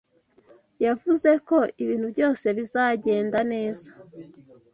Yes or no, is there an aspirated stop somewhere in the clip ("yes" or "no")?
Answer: no